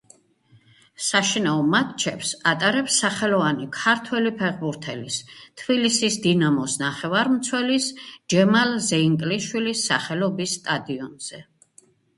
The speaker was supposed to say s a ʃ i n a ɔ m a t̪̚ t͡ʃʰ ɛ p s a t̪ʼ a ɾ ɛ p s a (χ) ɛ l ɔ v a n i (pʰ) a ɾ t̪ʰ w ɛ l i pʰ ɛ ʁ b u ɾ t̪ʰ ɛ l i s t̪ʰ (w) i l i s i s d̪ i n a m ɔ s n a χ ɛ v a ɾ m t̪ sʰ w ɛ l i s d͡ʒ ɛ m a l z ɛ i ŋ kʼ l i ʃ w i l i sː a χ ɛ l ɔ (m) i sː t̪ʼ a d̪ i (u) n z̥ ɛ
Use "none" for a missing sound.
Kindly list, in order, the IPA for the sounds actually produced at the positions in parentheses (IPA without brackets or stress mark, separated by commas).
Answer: χ, kʰ, b, b, ɔ